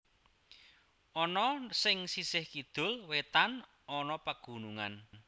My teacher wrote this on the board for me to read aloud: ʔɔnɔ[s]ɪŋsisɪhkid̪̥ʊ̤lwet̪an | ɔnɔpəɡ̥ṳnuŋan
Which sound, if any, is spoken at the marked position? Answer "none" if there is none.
s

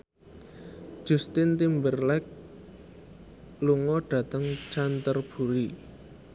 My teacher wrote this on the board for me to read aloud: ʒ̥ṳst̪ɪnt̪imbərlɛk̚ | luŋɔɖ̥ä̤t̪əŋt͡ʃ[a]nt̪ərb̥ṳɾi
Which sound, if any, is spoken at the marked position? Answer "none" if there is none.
a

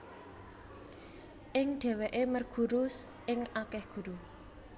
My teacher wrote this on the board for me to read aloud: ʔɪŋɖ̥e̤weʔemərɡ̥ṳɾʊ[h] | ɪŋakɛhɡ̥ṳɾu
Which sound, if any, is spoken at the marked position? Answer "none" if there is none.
s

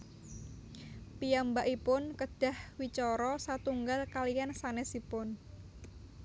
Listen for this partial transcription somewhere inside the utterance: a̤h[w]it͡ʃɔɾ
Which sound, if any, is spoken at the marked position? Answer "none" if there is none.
w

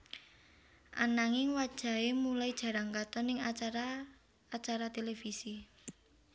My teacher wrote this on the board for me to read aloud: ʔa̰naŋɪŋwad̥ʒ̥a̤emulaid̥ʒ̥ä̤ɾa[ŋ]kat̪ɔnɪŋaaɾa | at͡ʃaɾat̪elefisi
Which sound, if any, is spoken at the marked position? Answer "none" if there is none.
ŋ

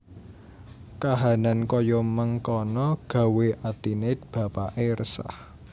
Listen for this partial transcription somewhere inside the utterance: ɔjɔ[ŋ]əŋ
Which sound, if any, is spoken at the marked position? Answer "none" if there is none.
m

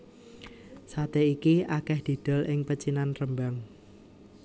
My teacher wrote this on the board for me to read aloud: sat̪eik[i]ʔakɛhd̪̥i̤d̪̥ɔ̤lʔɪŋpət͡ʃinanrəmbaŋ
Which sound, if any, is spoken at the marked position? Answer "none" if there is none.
i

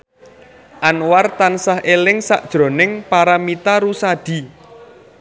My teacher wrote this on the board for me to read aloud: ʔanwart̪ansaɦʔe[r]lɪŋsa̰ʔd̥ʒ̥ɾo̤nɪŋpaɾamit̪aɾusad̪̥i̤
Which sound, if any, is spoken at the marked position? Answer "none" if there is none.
none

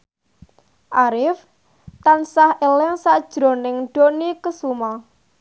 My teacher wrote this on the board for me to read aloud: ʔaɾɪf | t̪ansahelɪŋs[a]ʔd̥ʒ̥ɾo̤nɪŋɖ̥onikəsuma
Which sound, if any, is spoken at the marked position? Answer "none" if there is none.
a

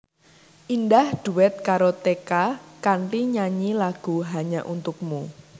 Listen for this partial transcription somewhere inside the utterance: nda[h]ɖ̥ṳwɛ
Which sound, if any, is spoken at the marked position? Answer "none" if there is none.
h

